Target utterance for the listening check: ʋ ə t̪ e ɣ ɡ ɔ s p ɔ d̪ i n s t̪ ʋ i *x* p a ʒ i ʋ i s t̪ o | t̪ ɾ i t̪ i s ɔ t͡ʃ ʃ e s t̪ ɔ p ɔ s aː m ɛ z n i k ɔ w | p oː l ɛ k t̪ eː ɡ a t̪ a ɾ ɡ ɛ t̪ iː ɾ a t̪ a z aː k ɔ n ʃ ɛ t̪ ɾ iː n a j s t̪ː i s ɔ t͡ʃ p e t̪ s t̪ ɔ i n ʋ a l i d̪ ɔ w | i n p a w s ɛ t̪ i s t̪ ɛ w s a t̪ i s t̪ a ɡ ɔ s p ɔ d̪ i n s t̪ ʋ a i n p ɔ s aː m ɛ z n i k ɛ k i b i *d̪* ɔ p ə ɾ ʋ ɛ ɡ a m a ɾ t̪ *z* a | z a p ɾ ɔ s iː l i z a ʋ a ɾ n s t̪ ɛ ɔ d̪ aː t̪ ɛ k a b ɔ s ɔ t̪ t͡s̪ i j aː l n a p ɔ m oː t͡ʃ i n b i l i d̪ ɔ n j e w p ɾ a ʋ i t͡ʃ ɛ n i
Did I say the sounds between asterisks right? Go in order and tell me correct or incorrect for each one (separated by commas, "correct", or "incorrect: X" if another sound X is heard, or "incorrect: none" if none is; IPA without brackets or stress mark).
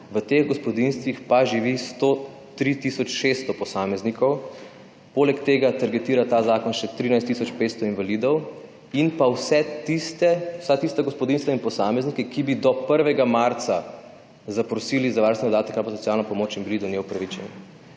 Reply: correct, correct, incorrect: s